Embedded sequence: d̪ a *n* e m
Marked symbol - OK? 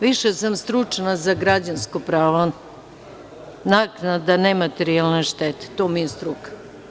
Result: yes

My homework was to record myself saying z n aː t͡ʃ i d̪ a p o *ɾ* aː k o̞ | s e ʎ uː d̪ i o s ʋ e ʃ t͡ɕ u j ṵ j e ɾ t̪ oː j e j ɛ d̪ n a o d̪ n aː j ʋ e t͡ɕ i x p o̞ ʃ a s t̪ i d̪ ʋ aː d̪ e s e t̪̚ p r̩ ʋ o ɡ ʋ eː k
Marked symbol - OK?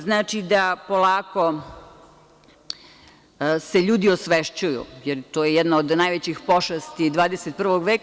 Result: no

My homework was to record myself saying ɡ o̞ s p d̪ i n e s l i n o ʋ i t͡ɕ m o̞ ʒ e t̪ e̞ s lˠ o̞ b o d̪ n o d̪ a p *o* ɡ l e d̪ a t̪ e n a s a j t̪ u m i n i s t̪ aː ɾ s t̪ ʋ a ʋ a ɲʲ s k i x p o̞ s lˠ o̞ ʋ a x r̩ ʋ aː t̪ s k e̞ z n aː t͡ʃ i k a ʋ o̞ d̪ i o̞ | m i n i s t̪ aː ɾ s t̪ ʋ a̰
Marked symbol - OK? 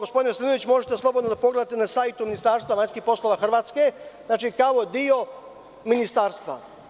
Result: yes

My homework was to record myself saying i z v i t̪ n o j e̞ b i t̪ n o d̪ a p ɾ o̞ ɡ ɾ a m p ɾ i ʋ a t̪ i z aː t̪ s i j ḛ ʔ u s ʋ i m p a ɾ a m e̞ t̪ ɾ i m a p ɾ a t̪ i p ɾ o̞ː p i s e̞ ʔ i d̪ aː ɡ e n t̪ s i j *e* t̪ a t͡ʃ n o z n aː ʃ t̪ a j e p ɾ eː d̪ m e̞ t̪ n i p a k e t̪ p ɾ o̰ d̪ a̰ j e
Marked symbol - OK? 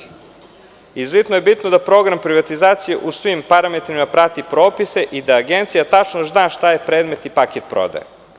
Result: no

